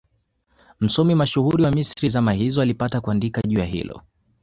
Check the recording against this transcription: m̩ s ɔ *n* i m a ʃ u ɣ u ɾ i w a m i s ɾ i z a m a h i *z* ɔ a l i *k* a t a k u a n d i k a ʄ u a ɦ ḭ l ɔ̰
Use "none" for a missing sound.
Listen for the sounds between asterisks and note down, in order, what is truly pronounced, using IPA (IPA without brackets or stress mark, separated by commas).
m, z, p